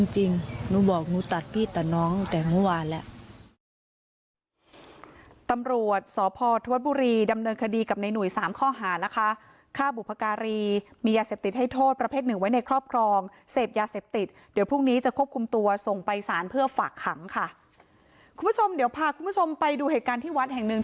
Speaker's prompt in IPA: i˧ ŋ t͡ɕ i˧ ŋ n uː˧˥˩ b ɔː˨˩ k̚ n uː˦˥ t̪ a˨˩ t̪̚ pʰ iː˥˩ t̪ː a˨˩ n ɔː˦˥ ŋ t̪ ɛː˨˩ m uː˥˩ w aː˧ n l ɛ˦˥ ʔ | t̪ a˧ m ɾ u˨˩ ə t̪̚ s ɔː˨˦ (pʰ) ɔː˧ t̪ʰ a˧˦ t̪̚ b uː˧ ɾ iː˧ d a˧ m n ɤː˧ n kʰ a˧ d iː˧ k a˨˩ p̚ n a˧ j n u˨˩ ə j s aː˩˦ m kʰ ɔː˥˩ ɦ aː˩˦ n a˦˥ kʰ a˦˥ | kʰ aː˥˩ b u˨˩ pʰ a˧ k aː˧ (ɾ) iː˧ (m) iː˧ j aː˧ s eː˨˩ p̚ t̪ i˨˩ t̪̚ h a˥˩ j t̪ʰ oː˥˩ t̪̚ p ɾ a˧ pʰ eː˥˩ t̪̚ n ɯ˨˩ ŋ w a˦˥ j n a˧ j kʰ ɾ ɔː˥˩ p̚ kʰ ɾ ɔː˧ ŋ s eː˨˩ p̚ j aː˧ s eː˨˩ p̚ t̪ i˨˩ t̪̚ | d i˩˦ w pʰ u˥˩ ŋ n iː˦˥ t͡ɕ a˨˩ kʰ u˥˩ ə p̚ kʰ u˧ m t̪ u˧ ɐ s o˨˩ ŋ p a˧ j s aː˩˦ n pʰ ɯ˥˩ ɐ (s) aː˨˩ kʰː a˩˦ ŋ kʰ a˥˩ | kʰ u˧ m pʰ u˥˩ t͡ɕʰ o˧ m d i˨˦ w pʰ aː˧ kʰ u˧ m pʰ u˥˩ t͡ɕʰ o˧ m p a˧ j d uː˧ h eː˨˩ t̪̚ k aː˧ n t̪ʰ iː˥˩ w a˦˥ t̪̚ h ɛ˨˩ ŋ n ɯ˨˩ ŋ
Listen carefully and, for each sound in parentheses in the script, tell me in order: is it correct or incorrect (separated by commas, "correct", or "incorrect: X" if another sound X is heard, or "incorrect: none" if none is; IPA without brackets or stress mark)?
correct, correct, correct, incorrect: f